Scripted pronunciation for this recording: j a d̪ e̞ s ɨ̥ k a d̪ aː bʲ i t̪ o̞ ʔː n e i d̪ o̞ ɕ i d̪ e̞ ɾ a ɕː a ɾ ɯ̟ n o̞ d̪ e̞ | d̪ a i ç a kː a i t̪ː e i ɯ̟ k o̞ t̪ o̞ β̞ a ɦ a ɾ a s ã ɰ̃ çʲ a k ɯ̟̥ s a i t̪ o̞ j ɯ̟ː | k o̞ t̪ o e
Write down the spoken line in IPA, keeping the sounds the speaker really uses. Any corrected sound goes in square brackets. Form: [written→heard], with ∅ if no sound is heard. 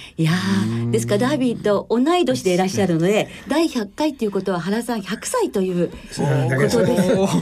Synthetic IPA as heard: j a d̪ e̞ s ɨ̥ k a d̪ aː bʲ i t̪ o̞ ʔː n [e→a] i d̪ o̞ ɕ i d̪ e̞ ɾ a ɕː a ɾ ɯ̟ n o̞ d̪ e̞ | d̪ a i ç a kː a i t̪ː e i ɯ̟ k o̞ t̪ o̞ β̞ a ɦ a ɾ a s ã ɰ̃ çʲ a k ɯ̟̥ s a i t̪ o̞ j ɯ̟ː | k o̞ t̪ o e